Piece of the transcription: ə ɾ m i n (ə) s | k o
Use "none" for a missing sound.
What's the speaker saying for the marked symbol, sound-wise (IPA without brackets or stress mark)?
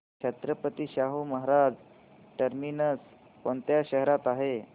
ə